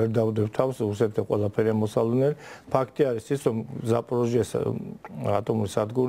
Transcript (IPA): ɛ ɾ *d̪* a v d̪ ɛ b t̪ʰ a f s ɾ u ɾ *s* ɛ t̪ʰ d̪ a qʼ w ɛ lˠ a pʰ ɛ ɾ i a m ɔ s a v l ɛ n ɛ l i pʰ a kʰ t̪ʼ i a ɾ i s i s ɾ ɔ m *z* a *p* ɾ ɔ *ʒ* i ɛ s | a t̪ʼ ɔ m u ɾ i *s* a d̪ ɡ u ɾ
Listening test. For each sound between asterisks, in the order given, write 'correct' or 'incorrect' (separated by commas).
correct, correct, correct, incorrect, correct, correct